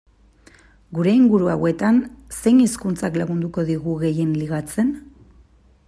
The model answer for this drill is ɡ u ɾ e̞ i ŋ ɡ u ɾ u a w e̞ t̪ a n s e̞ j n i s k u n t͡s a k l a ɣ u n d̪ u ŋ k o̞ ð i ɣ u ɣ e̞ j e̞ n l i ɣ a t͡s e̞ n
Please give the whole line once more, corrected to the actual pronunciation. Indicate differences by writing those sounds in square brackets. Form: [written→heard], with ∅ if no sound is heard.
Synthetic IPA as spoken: ɡ u ɾ e̞ i ŋ ɡ u ɾ u a w e̞ t̪ a n s e̞ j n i s k u n t͡s a k l a ɣ u n d̪ u [ŋ→∅] k o̞ ð i ɣ u ɣ e̞ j e̞ n l i ɣ a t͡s e̞ n